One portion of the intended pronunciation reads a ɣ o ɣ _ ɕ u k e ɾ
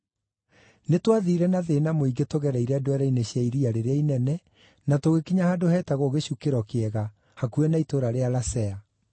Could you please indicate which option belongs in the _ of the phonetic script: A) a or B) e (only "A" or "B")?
B